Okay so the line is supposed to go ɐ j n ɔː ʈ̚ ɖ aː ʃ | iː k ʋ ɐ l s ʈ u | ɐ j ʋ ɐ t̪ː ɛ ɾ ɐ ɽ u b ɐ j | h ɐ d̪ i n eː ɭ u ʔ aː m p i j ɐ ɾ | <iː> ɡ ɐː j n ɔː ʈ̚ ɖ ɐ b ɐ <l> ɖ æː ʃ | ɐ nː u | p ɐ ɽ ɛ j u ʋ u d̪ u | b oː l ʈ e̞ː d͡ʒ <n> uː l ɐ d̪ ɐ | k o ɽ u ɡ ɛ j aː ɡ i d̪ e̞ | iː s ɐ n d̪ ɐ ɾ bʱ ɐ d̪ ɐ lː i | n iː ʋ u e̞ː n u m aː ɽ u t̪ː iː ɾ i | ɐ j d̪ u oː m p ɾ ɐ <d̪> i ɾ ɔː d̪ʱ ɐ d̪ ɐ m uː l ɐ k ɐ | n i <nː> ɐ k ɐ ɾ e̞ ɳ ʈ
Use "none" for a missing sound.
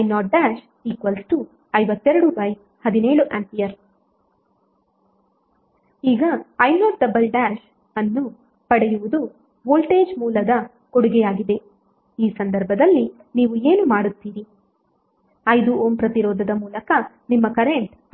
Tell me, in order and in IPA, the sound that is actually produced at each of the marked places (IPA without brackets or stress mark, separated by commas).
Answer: iː, l, m, t̪, mː